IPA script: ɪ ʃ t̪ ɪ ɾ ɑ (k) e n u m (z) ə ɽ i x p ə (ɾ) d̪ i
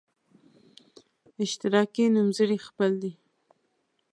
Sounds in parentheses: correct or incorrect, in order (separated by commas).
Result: correct, correct, incorrect